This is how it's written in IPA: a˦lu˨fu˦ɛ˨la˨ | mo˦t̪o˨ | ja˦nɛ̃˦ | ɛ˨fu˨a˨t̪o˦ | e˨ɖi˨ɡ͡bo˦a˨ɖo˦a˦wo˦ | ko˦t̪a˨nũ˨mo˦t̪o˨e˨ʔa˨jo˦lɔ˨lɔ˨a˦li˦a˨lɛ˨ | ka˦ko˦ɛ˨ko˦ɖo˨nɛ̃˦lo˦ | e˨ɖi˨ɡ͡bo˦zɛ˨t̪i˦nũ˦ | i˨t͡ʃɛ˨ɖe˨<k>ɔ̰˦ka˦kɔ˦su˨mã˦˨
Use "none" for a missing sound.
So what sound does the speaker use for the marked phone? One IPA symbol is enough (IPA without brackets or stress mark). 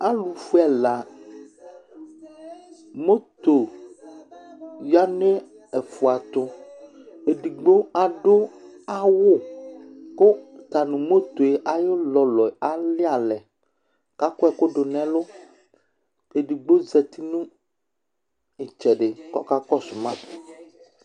k